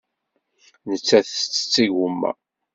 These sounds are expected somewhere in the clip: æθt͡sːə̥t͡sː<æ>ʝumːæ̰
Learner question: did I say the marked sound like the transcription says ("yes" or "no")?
no